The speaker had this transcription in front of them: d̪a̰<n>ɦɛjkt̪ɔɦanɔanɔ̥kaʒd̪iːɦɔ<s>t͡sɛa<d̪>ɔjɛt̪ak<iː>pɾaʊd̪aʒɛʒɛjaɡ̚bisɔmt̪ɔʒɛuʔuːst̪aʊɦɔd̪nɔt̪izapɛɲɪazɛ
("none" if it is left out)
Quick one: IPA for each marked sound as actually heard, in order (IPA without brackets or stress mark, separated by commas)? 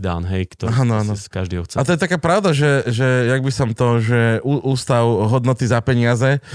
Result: n, x, t̪, aː